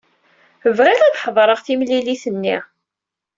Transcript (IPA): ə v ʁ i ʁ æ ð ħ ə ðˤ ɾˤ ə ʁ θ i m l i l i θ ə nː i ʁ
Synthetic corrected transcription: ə v ʁ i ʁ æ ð ħ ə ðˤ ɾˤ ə ʁ θ i m l i l i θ ə nː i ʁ